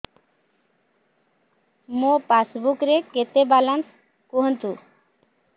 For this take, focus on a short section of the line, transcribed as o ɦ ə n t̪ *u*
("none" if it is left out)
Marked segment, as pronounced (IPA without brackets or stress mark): u